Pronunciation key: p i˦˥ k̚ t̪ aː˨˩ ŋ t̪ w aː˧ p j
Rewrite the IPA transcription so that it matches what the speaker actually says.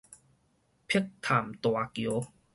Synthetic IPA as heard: pʰ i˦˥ k̚ t̪ʰ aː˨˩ m t̪ w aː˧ k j